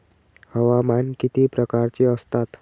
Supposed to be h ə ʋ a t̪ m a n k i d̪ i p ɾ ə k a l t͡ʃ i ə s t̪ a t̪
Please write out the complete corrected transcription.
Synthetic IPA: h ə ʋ a m a n k i t̪ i p ɾ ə k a ɾ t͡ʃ i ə s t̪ a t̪

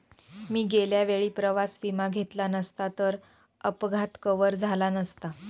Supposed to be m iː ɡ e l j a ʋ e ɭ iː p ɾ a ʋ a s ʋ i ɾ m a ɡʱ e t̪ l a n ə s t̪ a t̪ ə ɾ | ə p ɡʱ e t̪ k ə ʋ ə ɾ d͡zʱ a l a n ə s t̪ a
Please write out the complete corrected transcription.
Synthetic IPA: m iː ɡ e l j a ʋ e ɭ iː p ɾ ə ʋ a s ʋ i m a ɡʱ e t̪ l a n ə s t̪ a t̪ ə ɾ | ə p ɡʱ a t̪ k ə ʋ ə ɾ d͡zʱ a l a n ə s t̪ a

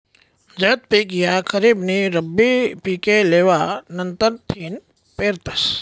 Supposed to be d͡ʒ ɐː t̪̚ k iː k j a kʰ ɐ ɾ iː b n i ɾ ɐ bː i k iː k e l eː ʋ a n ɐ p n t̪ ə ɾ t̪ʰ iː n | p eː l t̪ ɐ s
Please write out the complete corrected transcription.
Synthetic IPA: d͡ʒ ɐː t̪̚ p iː k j a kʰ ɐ ɾ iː b n i ɾ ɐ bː i p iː k e l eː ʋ a n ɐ n t̪ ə ɾ t̪ʰ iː n | p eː ɾ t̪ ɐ s

